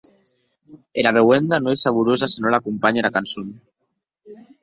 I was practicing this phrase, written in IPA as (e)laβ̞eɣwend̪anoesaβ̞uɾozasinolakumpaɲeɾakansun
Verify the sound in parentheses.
correct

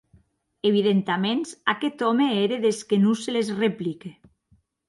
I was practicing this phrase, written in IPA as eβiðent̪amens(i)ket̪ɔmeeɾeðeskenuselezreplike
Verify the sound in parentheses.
incorrect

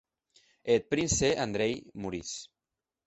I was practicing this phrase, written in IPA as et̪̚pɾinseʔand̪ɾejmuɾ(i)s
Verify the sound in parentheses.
correct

